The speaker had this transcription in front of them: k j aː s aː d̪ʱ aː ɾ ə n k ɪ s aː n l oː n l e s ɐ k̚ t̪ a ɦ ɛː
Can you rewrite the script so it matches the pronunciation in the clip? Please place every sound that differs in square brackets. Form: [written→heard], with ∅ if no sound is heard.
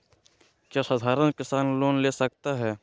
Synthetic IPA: k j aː s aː d̪ʱ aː ɾ ə n k ɪ s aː n l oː n l e s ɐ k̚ t̪ a ɦ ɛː